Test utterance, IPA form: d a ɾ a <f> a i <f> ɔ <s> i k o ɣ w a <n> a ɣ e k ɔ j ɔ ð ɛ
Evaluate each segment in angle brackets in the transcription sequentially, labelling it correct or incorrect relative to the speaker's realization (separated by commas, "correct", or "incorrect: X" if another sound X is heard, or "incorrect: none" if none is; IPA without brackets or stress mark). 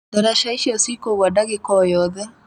incorrect: ʃ, incorrect: ʃ, correct, incorrect: d